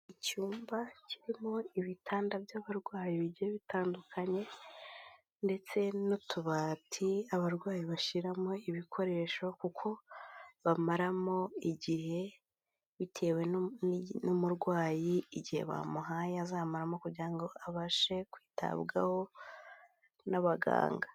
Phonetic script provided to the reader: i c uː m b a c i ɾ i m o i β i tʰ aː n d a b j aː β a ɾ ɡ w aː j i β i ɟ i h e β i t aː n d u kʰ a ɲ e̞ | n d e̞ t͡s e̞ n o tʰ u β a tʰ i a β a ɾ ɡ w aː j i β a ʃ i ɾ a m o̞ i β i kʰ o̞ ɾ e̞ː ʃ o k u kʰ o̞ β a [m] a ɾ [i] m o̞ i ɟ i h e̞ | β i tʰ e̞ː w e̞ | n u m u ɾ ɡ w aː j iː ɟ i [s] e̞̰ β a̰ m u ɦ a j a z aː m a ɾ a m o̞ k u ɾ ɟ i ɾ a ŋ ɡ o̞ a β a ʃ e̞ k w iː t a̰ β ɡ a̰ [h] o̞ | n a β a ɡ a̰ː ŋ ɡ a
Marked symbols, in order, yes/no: yes, no, no, yes

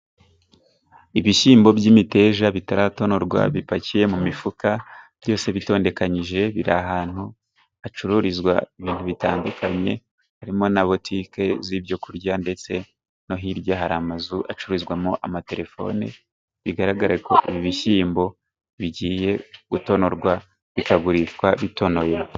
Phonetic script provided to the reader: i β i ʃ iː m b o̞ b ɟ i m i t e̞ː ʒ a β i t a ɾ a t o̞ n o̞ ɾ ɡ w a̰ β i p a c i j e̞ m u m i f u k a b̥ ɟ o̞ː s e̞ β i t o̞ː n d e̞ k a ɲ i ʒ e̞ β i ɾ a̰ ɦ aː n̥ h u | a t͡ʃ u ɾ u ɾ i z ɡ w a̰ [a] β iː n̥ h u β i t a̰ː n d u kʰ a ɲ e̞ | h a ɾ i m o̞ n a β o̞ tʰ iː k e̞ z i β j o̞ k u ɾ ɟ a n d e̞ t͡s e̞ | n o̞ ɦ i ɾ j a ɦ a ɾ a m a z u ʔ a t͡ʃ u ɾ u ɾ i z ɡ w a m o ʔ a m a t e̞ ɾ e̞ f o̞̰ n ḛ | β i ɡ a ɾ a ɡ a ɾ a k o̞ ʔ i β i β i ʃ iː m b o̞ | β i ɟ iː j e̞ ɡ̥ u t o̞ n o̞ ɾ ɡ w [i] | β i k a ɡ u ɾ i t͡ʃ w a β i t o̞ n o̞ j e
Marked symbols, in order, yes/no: no, no

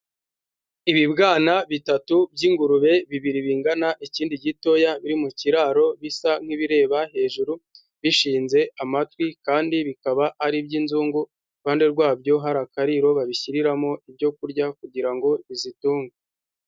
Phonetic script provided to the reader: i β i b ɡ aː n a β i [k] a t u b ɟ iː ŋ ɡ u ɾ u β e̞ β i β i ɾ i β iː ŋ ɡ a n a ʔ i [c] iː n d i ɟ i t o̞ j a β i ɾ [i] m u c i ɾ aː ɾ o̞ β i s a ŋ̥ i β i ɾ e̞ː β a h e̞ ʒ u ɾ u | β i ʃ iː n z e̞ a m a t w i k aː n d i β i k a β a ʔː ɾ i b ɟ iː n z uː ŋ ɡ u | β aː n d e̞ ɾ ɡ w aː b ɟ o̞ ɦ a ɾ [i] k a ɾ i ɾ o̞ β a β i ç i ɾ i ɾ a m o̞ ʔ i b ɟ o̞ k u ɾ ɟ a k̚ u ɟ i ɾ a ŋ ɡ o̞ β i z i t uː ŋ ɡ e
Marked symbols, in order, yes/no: no, yes, yes, no

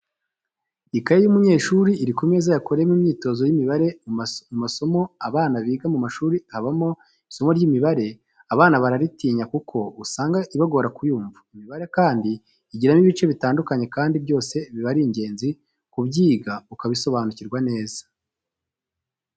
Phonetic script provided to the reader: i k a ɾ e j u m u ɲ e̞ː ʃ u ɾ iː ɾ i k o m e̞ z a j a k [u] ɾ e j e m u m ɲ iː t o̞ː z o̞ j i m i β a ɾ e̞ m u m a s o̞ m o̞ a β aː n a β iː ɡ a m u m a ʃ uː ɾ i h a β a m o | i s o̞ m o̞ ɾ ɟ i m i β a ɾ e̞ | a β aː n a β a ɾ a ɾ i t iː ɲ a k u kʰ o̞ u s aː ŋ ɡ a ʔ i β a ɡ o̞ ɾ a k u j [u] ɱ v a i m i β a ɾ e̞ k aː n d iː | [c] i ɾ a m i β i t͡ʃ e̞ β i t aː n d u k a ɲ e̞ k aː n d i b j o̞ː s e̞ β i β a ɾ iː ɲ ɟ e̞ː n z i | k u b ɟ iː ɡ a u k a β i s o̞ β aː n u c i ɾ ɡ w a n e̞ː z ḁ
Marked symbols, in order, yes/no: no, no, no

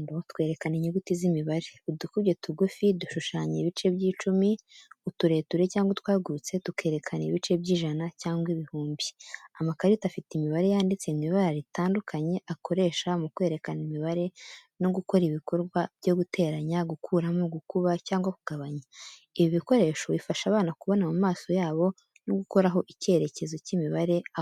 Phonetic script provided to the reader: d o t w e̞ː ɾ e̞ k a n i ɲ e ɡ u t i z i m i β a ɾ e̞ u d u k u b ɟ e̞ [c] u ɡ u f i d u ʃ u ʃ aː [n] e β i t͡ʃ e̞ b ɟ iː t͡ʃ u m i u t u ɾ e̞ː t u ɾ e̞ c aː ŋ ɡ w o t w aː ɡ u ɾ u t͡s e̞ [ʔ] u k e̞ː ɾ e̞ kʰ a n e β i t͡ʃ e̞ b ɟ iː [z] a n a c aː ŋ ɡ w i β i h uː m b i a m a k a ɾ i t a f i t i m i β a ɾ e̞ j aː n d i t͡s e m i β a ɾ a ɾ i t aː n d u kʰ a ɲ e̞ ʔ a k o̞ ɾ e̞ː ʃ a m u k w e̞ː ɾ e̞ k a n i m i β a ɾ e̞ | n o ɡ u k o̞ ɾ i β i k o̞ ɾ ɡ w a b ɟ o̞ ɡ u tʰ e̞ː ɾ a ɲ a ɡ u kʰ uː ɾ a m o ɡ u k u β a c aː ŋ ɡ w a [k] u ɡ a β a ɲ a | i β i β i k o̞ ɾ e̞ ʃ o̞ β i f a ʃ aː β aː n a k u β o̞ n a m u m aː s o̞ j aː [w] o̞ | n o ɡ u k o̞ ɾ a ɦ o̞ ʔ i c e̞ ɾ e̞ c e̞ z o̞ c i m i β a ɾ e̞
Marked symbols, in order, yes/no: no, no, no, no, yes, no

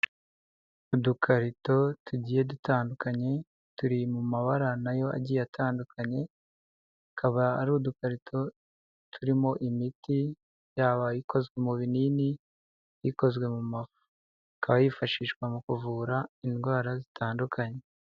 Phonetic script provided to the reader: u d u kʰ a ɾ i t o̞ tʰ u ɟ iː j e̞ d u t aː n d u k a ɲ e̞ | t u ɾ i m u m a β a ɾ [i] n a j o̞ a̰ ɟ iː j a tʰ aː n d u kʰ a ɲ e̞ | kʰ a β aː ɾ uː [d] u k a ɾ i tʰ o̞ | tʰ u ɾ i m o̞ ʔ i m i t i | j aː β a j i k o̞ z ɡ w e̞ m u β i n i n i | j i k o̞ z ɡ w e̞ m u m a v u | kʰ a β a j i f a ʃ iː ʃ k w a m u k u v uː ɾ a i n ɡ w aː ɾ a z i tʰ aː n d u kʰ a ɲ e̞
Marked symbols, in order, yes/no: no, yes

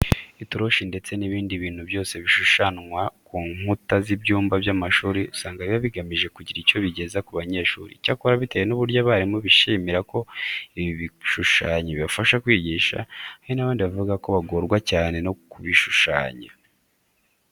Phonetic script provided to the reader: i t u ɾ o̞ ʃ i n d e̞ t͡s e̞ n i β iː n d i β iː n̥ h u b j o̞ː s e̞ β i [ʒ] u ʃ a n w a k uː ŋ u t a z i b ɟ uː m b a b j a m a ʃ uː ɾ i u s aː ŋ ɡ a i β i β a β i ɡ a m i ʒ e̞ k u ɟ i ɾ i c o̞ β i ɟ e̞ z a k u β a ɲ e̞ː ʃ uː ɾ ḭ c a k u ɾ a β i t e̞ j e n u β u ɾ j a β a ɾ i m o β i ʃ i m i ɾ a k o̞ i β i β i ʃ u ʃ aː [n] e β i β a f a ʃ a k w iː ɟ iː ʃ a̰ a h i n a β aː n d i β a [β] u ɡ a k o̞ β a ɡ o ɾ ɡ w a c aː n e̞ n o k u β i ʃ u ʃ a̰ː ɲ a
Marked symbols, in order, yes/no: no, no, no

